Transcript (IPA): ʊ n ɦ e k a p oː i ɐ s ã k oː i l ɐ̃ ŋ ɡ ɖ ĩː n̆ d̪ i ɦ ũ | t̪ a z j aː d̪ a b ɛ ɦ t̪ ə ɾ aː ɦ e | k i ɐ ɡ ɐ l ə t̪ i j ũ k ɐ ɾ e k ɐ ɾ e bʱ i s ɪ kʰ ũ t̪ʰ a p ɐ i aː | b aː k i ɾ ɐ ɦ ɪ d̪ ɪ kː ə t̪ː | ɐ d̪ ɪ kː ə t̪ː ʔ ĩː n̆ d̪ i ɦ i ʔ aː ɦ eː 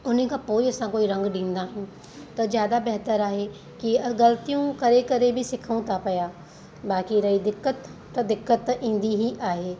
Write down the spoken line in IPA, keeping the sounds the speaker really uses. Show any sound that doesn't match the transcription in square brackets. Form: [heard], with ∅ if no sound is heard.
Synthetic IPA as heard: ʊ n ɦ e k a p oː i ɐ s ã k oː i [ɾ] ɐ̃ ŋ ɡ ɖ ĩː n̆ d̪ [a] ɦ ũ | t̪ [ɐ] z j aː d̪ a b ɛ ɦ t̪ ə ɾ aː ɦ e | k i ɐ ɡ ɐ l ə t̪ i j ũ k ɐ ɾ e k ɐ ɾ e bʱ i s ɪ kʰ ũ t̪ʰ a p ɐ [j] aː | b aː k i ɾ ɐ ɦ [i] d̪ ɪ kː ə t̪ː | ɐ d̪ ɪ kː ə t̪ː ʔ ĩː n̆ d̪ i ɦ i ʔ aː ɦ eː